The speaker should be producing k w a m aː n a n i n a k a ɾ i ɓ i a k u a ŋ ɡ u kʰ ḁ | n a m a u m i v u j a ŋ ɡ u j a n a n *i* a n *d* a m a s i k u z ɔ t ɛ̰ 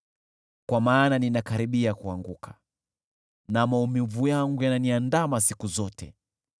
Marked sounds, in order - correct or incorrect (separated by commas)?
correct, correct